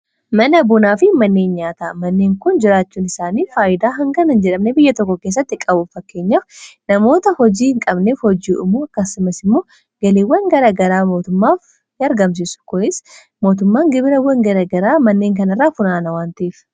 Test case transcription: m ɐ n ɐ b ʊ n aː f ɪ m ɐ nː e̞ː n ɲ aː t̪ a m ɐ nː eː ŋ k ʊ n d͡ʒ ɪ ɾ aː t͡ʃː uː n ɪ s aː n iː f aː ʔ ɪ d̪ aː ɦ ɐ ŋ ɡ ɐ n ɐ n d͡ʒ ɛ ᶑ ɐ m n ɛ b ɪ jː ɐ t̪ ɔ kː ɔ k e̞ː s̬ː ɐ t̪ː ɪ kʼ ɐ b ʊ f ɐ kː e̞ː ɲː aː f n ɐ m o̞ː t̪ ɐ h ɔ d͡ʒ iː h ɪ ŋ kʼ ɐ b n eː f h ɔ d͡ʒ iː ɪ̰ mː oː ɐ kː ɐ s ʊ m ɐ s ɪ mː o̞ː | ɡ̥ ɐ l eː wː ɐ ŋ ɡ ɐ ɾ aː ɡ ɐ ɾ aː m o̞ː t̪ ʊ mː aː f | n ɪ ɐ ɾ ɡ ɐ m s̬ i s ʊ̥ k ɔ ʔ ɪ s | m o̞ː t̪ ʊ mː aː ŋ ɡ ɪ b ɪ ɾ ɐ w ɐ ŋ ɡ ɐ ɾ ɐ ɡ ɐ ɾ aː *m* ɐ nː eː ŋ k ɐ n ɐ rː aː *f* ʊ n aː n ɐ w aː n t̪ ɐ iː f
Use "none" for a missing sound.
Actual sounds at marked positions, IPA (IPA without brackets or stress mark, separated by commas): m, f